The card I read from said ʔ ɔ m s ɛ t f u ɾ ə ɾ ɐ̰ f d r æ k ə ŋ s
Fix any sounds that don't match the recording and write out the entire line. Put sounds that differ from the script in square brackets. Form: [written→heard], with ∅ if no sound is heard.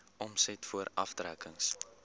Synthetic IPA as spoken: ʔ ɔ m s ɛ t f u [ɾ→∅] ə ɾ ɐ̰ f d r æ k ə ŋ s